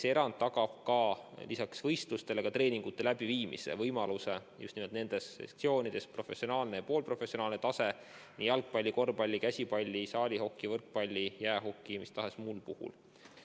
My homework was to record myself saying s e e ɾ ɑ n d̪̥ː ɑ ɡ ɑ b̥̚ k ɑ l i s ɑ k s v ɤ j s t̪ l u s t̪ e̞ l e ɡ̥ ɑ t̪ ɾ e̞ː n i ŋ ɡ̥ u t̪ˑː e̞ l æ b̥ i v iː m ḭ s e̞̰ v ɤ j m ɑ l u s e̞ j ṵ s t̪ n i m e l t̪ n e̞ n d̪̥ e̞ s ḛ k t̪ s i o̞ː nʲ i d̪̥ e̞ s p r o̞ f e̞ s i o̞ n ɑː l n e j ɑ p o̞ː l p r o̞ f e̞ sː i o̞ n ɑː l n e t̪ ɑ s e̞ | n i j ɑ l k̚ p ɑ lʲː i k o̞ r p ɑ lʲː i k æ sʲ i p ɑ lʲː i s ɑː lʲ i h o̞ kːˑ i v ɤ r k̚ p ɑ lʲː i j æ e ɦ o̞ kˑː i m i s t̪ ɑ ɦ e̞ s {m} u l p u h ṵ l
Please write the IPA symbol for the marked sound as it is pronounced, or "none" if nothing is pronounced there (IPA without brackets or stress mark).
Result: m